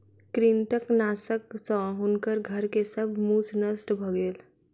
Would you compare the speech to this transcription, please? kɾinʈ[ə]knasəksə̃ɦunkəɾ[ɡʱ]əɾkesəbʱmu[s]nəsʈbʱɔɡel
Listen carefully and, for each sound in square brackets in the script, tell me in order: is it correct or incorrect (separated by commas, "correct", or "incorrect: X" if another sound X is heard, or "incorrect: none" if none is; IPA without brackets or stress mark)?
correct, correct, correct